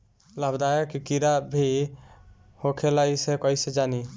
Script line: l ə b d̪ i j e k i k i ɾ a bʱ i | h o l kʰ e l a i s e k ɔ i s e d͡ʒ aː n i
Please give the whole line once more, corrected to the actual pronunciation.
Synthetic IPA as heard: l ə b d̪ a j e k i k i ɾ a bʱ i | h o kʰ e l a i s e k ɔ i s e d͡ʒ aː n i